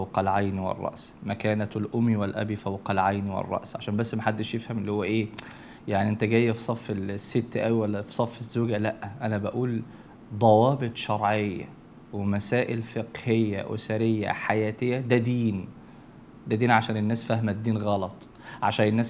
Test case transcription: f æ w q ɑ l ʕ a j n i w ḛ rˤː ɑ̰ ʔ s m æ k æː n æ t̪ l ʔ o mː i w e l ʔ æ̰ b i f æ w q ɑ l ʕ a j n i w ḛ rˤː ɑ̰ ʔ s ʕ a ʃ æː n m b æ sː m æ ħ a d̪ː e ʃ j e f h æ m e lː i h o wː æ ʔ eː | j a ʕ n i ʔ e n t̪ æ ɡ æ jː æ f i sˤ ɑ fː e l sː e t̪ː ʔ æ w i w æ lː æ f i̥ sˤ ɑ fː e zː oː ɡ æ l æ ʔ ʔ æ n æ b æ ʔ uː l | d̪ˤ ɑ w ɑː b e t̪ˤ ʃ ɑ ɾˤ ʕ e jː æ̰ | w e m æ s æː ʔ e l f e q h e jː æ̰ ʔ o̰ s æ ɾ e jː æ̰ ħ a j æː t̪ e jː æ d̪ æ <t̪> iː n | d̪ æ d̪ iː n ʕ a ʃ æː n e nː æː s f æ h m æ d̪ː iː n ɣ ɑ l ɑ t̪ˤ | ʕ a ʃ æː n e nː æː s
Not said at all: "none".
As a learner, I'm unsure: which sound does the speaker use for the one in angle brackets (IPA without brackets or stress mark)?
d̪